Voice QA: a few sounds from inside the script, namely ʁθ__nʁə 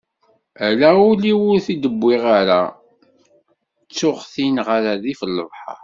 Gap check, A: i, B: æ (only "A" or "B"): A